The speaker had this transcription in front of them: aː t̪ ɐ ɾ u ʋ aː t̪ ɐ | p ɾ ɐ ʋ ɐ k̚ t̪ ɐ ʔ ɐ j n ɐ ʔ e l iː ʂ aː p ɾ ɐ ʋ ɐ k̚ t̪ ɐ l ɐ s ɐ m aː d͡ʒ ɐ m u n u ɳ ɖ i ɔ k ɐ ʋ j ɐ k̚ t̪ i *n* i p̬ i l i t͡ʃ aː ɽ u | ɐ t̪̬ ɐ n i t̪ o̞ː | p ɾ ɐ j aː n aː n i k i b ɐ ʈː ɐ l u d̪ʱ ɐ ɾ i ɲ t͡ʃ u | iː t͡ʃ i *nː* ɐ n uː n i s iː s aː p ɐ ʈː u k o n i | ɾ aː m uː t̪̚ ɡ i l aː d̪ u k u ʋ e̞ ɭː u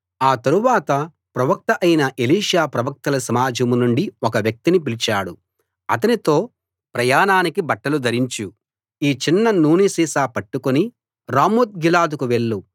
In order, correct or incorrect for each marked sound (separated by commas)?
correct, correct